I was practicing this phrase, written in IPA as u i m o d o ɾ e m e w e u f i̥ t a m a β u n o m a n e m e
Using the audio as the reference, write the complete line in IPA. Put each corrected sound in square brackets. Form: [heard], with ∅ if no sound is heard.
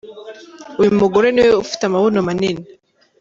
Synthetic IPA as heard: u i m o [ɡ] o ɾ e [n] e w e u f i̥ t a m a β [o] n o m a n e [n] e